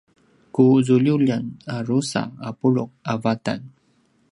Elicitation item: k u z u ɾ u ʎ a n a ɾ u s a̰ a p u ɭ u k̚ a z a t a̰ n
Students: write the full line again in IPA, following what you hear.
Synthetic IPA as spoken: k u z u ʎ u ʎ a n a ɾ u s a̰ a p u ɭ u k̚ a v a t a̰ n